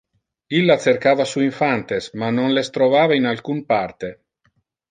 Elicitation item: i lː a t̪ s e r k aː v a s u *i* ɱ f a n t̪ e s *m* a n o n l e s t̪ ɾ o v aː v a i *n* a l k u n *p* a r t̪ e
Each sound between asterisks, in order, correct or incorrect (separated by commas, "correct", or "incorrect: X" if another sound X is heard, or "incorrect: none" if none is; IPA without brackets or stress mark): correct, correct, correct, correct